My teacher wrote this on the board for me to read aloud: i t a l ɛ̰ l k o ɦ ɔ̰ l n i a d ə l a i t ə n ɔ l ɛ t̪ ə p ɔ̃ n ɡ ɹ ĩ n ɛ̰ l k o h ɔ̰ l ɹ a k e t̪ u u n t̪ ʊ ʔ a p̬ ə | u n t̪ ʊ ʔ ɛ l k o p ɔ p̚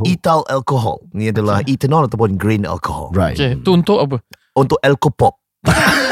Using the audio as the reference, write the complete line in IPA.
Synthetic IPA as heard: i t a l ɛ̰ l k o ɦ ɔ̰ l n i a d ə l a i t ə n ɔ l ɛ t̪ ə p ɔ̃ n ɡ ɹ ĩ n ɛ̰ l k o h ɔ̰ l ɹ a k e t̪ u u n t̪ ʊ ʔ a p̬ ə | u n t̪ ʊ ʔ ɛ l k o p ɔ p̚